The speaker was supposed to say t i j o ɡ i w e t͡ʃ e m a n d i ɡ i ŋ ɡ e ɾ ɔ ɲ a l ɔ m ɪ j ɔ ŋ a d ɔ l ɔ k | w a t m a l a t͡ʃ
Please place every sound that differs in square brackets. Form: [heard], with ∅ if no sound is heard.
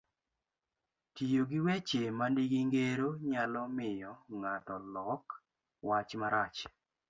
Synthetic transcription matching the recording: t i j o ɡ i w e t͡ʃ e m a n d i ɡ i ŋ ɡ e ɾ [o] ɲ a l ɔ m ɪ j ɔ ŋ a [t] ɔ l ɔ k | w a [t͡ʃ] m a [ɾ] a t͡ʃ